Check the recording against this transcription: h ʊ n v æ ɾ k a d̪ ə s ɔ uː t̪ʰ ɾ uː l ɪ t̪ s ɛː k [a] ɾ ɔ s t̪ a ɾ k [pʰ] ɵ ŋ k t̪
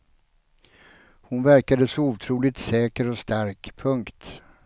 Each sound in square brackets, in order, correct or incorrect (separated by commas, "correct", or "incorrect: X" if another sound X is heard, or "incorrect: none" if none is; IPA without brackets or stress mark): incorrect: ə, correct